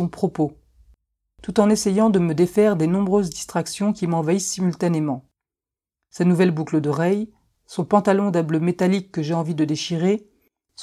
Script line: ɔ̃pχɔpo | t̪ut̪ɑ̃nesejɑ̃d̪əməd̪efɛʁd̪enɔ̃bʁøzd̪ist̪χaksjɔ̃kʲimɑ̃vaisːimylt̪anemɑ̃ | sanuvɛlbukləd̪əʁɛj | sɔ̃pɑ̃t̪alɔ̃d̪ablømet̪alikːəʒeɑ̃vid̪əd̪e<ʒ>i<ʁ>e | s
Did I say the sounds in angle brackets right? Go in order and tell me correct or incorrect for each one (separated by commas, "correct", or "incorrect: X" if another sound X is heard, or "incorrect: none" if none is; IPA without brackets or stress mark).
incorrect: ʃ, correct